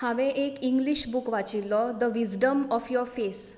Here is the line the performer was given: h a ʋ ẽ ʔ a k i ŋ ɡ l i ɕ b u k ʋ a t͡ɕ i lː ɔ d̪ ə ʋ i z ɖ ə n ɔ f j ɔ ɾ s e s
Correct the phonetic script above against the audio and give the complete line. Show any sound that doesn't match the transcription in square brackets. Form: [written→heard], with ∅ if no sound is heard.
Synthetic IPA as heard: h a ʋ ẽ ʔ [a→e] k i ŋ ɡ l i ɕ b u k ʋ a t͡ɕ i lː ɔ d̪ ə ʋ i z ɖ ə [n→m] ɔ f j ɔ ɾ [s→f] e s